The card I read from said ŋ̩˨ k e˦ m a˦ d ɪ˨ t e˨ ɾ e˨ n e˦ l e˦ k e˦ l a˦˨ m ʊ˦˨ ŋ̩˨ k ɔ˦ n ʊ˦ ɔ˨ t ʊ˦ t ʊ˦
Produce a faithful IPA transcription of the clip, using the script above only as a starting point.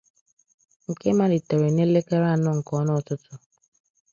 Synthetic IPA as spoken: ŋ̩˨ k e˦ m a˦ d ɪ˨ t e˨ ɾ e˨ n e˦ l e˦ k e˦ ɾ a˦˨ n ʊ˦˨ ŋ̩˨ k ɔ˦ n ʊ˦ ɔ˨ t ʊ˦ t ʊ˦